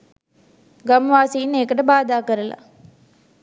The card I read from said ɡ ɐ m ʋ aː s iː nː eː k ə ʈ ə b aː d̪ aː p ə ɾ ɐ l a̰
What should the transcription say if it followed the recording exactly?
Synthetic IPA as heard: ɡ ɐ m ʋ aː s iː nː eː k ə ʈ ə b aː d̪ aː k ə ɾ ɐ l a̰